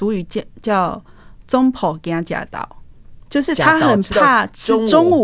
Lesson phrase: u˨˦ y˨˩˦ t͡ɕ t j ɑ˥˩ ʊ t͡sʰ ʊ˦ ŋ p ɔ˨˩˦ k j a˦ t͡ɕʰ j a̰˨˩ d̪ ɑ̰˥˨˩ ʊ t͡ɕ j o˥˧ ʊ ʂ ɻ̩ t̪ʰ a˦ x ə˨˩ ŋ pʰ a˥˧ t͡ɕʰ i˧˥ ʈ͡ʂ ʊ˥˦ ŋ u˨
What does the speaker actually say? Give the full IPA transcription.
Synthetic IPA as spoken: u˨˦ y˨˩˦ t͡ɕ t͡ɕ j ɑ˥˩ ʊ t͡s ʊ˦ ŋ pʰ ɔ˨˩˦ k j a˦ t͡ɕ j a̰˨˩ t̪ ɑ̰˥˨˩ ʊ t͡ɕ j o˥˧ ʊ ʂ ɻ̩ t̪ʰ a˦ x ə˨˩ n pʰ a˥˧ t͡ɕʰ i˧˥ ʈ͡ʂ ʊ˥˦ ŋ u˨